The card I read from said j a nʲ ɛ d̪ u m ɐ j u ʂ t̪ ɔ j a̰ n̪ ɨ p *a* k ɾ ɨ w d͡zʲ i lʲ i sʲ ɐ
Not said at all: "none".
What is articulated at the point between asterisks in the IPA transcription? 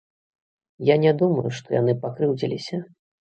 a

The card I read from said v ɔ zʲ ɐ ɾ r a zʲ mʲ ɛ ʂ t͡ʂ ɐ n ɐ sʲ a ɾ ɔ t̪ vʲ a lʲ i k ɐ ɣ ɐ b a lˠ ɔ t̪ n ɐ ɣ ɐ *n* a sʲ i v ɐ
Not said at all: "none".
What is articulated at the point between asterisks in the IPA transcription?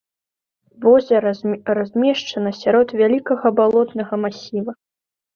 m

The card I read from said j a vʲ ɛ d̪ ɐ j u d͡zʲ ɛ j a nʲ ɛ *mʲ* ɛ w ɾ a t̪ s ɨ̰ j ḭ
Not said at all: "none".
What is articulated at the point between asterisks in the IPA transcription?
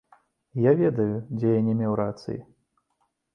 mʲ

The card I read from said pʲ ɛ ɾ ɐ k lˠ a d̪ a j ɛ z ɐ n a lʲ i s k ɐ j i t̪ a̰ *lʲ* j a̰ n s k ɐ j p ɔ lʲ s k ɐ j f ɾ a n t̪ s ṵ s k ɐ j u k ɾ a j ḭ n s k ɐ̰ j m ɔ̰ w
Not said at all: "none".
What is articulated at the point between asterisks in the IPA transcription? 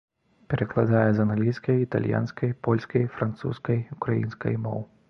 lʲ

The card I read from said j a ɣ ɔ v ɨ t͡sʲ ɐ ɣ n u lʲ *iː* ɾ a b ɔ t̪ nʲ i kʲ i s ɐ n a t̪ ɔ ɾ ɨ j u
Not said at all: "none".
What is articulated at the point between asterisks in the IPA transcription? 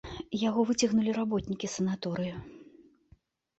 i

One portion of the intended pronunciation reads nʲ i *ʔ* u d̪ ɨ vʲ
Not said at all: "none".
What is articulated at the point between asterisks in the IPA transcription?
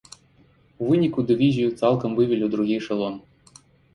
k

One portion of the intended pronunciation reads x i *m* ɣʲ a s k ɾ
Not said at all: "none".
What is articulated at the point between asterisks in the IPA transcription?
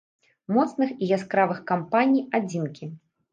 none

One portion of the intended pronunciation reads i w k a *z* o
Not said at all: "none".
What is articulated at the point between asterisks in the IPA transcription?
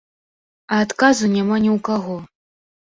ɣ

